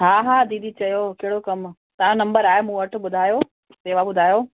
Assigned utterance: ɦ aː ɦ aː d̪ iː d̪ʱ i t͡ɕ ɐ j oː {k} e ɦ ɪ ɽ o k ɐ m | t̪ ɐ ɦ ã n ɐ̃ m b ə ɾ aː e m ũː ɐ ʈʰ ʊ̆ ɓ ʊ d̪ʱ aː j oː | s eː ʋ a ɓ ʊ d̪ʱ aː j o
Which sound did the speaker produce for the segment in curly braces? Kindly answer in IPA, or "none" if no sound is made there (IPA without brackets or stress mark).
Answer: k